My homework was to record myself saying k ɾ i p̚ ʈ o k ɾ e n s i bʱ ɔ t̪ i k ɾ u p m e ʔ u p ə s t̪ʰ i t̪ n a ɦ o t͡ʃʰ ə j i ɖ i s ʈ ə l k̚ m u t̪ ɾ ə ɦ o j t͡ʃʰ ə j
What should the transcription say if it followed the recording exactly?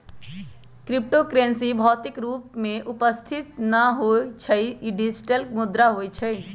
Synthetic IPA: k ɾ i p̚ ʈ o k ɾ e n s i bʱ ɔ t̪ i k ɾ u p m e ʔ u p ə s t̪ʰ i t̪ n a ɦ o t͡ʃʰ ə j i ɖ i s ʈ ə l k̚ m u d̪ ɾ a ɦ o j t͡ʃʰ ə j